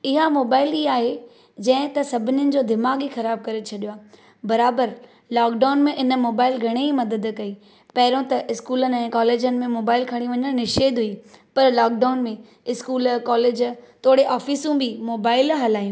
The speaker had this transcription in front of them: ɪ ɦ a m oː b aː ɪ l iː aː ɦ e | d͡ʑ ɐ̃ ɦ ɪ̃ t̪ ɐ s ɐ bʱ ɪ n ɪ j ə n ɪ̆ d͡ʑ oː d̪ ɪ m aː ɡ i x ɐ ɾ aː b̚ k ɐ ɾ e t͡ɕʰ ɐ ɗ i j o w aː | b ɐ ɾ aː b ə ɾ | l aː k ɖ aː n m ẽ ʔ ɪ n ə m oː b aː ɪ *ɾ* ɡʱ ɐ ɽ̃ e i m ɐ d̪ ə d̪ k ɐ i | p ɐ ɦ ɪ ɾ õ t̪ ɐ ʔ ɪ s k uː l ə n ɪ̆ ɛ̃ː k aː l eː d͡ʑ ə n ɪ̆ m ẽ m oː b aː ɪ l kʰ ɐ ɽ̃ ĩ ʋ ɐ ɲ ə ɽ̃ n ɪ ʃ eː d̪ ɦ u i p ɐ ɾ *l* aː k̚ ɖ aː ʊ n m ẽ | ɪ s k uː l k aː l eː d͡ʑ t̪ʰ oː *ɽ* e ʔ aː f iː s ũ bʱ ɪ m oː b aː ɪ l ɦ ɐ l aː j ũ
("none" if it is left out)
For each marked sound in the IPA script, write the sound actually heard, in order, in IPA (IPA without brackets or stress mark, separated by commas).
l, l, ɽ